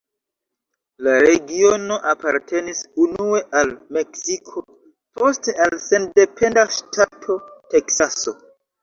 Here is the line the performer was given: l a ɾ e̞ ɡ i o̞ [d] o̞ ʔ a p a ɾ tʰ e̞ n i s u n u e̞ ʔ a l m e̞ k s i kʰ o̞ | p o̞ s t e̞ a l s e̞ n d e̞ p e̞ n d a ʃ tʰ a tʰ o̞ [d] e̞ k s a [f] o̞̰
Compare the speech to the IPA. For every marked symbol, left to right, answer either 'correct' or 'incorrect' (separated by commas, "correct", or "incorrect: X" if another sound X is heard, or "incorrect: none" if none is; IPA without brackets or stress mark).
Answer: incorrect: n, incorrect: t, incorrect: s